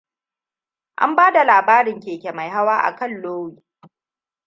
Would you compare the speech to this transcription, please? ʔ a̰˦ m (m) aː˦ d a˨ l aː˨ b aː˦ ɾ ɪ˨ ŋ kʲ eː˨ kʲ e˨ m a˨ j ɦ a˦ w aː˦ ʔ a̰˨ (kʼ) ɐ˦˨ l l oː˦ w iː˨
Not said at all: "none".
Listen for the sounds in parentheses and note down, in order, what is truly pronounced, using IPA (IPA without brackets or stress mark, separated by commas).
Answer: b, k